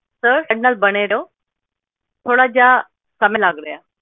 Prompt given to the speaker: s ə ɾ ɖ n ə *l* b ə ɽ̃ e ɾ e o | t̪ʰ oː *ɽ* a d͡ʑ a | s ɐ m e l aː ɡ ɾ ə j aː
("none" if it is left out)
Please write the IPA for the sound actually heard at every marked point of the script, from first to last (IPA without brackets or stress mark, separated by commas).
l, ɽ